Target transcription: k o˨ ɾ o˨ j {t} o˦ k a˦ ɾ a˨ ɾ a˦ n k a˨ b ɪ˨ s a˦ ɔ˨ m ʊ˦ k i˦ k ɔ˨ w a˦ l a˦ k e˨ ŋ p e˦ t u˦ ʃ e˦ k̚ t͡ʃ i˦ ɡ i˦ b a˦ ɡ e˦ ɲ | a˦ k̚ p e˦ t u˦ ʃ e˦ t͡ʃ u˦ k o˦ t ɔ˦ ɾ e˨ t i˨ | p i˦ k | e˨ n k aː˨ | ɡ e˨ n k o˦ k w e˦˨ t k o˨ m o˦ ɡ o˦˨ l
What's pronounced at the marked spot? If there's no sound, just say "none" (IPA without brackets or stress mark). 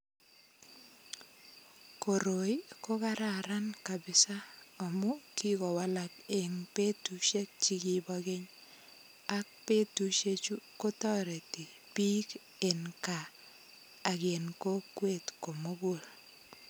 k